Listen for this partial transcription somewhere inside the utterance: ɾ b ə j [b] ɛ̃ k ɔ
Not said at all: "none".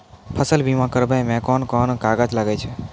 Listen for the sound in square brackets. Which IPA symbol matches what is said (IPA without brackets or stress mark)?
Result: m